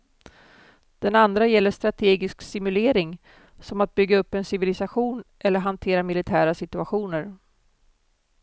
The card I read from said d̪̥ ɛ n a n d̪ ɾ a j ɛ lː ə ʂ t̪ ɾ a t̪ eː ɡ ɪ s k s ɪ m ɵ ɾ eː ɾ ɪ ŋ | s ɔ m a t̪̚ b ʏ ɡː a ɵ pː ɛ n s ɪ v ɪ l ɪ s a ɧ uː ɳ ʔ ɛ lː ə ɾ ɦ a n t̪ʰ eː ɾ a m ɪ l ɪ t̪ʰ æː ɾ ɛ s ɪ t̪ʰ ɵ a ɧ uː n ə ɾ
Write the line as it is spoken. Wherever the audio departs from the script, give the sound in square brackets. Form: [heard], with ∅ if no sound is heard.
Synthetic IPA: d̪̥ ɛ n a n d̪ ɾ a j ɛ lː ə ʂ t̪ ɾ a [t̪ʰ] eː ɡ ɪ s k s ɪ m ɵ [l] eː ɾ ɪ ŋ | s ɔ m a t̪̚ b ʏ ɡː a ɵ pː ɛ n s ɪ v ɪ l ɪ s a ɧ uː [n] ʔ ɛ lː ə ɾ ɦ a n t̪ʰ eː ɾ a m ɪ l ɪ t̪ʰ æː ɾ [a] s ɪ [t̪] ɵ a ɧ uː n ə ɾ